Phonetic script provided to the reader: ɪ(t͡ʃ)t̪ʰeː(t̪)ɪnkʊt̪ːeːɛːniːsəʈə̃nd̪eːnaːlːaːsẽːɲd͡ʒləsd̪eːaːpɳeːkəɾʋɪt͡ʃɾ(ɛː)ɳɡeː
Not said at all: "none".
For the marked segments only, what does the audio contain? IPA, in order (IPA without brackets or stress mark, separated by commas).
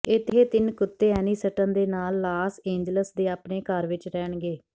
none, t̪, ɛː